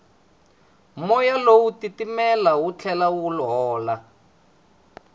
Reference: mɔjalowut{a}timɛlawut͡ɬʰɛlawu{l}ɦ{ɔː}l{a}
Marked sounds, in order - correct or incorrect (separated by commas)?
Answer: incorrect, correct, correct, correct